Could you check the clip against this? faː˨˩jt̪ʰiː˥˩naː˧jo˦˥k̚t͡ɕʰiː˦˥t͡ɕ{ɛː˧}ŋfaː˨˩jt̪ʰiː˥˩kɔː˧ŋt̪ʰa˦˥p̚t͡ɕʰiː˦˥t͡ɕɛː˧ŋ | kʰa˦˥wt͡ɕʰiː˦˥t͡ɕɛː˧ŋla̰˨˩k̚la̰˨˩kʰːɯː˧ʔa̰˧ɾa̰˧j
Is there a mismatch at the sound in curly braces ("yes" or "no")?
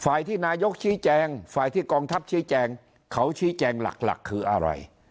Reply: no